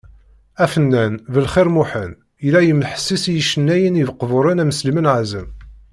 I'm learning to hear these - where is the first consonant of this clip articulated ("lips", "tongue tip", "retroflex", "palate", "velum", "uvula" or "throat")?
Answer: lips